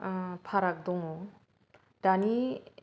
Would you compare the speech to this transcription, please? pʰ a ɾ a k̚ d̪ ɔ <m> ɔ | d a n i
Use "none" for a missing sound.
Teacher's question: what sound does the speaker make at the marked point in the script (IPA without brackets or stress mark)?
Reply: ŋ